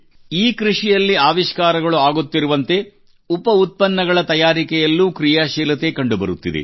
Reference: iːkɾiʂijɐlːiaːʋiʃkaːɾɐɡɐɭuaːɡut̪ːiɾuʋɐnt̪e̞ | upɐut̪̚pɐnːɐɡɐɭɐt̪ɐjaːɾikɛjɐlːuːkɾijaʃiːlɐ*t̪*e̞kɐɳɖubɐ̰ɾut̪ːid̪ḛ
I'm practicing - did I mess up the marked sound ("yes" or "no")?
no